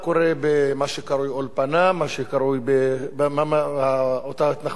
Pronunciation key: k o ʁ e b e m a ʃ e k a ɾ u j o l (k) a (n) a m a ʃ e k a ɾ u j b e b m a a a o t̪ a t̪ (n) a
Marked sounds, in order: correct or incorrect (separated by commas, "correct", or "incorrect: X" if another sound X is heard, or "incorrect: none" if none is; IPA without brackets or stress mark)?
incorrect: p, correct, correct